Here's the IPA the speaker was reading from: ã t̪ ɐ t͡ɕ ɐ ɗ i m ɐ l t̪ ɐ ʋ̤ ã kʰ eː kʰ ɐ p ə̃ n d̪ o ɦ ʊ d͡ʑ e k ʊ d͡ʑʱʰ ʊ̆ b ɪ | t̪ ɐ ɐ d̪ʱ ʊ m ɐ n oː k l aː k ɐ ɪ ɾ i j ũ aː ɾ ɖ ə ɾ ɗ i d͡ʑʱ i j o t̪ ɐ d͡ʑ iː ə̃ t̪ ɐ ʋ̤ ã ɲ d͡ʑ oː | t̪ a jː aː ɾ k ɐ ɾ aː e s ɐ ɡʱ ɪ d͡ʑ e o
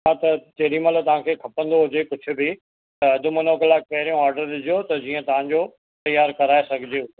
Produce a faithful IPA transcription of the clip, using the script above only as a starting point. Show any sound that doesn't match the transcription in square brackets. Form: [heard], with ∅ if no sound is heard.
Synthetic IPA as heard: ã t̪ ɐ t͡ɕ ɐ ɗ i m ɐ l t̪ ɐ ʋ̤ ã kʰ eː kʰ ɐ p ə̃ n d̪ o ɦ ʊ d͡ʑ e k ʊ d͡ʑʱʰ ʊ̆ b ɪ | t̪ ɐ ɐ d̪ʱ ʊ m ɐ n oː k l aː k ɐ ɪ ɾ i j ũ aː ɾ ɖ ə ɾ ɗ [ɪ] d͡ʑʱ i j o t̪ ɐ d͡ʑ iː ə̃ t̪ ɐ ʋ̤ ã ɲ d͡ʑ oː | t̪ [ɐ] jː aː ɾ k ɐ ɾ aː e s ɐ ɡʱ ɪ d͡ʑ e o